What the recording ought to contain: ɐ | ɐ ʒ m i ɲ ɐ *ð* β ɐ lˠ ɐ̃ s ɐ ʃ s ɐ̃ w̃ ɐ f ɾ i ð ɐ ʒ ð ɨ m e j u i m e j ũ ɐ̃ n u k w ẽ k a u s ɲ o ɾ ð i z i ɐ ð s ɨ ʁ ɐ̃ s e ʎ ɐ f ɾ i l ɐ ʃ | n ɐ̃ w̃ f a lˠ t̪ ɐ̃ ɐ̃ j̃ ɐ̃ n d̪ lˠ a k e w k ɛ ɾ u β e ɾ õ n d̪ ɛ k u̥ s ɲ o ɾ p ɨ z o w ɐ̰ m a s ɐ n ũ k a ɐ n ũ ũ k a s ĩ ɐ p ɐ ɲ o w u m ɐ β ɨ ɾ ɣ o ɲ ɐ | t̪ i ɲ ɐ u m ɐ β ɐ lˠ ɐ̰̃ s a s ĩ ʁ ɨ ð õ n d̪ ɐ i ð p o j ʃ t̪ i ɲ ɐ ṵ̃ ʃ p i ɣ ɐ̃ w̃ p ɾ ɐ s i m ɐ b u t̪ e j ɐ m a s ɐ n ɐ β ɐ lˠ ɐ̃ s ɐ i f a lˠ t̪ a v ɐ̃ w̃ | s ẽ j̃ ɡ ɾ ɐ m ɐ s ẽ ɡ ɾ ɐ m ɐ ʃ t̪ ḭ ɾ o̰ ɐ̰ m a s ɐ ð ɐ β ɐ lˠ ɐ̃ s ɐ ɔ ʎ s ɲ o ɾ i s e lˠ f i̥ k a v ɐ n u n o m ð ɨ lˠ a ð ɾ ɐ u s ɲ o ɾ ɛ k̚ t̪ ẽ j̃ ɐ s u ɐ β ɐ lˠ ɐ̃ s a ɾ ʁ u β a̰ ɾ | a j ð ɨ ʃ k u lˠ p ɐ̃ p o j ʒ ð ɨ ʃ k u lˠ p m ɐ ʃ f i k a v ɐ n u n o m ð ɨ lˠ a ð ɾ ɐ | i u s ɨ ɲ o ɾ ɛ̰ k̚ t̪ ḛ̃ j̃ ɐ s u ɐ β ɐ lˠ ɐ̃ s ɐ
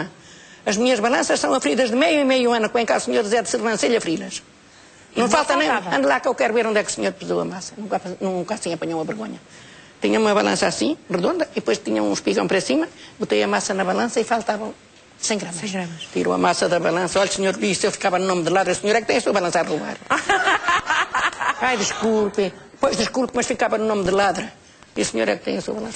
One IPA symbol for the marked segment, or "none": ʒ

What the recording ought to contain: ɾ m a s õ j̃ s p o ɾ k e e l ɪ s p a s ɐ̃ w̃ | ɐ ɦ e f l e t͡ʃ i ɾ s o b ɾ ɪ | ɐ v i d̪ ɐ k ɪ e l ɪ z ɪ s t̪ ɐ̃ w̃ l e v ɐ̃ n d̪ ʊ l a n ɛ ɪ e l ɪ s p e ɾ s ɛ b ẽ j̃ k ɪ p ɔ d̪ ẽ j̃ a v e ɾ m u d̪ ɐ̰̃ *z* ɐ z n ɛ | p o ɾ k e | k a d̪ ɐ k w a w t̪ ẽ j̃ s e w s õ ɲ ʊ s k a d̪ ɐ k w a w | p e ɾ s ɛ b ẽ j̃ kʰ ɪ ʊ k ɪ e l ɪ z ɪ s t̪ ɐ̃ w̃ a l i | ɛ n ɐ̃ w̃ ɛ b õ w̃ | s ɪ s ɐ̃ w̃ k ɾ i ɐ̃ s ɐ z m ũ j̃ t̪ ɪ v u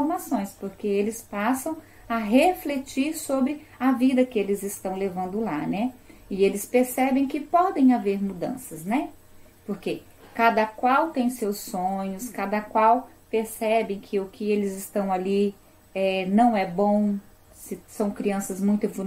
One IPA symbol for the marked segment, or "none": s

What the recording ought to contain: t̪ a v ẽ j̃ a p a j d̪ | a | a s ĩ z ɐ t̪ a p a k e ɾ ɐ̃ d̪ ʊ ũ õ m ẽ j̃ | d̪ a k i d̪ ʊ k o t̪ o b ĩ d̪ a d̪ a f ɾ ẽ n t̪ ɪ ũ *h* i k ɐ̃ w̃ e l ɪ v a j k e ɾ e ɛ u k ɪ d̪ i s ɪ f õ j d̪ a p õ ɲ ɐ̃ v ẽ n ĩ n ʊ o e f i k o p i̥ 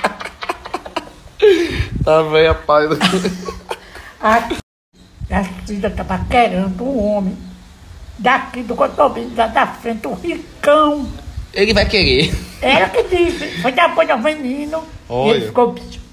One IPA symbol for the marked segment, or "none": h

